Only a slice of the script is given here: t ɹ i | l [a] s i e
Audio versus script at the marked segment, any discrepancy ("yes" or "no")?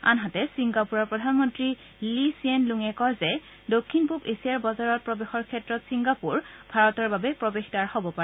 yes